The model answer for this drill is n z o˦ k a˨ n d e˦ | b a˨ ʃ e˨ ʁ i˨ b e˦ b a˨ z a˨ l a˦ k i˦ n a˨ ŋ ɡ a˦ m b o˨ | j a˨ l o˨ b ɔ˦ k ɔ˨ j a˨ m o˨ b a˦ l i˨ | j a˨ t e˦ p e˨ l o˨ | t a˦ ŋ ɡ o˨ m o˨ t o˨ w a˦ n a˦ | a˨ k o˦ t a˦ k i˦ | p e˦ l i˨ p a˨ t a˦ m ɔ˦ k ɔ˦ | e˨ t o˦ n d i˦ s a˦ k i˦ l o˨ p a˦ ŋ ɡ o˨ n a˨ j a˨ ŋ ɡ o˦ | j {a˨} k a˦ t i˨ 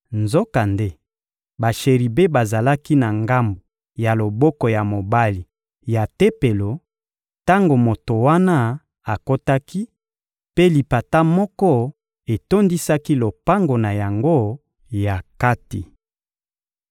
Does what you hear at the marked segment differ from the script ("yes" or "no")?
no